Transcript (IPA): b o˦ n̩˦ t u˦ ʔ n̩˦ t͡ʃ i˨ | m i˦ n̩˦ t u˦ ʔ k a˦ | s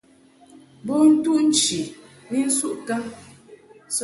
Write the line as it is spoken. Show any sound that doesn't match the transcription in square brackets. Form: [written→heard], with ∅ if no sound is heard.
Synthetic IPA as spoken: b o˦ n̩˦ t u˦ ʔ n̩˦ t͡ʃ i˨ | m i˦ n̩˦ [t→s] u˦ ʔ k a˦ | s